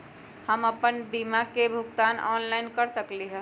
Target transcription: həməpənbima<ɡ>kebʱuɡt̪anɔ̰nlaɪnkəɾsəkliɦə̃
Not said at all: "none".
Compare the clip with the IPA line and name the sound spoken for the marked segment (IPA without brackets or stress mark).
none